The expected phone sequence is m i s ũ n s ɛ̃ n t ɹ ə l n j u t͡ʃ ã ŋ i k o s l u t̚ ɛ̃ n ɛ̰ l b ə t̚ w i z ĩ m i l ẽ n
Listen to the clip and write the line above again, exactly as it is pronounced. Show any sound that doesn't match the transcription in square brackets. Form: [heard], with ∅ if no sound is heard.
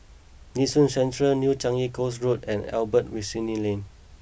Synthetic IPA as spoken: [n] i s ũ n s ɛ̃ n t ɹ ə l n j u t͡ʃ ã ŋ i k o s [ɹ] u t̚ ɛ̃ n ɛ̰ l b ə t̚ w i [s] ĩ [n] i l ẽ n

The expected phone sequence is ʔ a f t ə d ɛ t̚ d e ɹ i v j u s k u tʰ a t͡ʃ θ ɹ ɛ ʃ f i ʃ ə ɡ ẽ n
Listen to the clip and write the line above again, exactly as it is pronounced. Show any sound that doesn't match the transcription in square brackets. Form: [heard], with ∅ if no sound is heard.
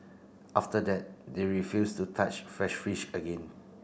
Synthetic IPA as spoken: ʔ a f t ə d ɛ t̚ d e ɹ i [f] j u s [t] u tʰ a t͡ʃ [f] ɹ ɛ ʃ f i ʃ ə ɡ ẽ n

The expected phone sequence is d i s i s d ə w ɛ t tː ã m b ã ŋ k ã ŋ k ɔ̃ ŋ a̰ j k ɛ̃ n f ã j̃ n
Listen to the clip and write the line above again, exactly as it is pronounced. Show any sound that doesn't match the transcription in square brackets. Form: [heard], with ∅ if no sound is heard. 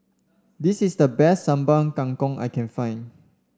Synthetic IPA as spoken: d i s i s d ə [b] ɛ [s] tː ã m b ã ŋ k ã ŋ k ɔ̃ ŋ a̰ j k ɛ̃ n f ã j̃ n

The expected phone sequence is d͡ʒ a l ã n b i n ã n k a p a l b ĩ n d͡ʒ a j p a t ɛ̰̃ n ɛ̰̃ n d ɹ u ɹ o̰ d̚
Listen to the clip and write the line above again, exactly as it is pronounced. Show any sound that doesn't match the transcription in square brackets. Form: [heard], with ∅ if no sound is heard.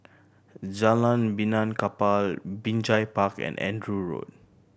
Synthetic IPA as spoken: d͡ʒ a l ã n b i n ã n k a p a l b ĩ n d͡ʒ a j p a [k] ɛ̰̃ n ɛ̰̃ n d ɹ u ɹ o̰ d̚

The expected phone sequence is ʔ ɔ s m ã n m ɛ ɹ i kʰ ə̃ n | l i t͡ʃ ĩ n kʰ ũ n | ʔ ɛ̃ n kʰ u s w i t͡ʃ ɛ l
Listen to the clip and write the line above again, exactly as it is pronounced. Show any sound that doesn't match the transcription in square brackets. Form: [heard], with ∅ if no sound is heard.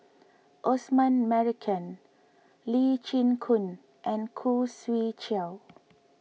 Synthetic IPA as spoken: ʔ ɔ s m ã n m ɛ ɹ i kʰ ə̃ n | l i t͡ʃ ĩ n kʰ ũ n | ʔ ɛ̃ n kʰ u s w i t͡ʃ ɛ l

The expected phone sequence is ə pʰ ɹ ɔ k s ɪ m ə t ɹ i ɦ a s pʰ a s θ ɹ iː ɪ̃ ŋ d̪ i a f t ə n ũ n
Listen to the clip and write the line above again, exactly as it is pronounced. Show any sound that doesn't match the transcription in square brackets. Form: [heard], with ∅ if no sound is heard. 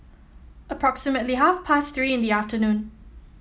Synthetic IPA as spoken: ə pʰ ɹ ɔ k s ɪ m ə t [l] i ɦ a [f] pʰ a s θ ɹ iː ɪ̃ [n] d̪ i a f t ə n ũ n

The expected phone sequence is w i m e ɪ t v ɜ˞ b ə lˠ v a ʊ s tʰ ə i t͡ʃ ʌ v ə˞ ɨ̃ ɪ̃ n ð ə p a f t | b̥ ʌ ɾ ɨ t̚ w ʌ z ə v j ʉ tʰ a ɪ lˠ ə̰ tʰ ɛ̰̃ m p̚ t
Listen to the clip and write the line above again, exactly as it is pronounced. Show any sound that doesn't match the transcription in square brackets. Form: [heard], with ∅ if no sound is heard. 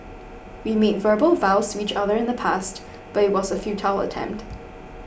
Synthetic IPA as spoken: w i m e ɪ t v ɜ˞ b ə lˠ v a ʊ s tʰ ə i t͡ʃ ʌ [ð] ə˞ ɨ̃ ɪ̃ n ð ə [pʰ] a [s] t | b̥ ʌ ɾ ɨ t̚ w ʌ z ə [f] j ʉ tʰ a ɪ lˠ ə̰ tʰ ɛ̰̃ m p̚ t

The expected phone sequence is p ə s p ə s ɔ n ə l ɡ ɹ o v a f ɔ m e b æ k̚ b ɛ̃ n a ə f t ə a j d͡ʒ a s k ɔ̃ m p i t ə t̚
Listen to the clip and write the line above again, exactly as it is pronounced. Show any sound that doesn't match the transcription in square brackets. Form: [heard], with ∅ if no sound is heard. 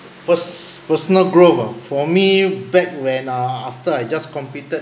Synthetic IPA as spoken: p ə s p ə s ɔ n ə l ɡ ɹ o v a f ɔ m [i] b [ɛ] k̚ [w] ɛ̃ n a [a] f t ə a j d͡ʒ a s k ɔ̃ m p i t ə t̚

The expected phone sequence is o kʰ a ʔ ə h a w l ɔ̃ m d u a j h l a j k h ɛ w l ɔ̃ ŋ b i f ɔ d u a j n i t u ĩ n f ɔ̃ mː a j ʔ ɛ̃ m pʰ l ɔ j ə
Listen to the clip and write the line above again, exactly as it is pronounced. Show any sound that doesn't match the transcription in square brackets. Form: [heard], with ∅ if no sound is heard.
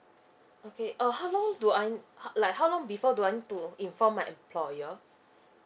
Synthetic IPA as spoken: o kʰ [e] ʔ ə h a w l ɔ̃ [ŋ] d u a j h l a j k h [a] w l ɔ̃ ŋ b i f ɔ d u a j n i t u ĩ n f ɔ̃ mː a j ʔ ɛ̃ m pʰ l ɔ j ə

